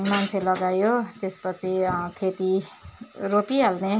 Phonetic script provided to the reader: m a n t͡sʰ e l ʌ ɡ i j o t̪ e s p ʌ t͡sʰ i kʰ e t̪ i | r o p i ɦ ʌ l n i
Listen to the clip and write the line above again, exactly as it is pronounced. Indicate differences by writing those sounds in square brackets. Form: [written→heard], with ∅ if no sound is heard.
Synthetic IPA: m a n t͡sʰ e l ʌ ɡ [i→a] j o t̪ e s p ʌ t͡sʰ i kʰ e t̪ i | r o p i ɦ [ʌ→a] l n [i→e]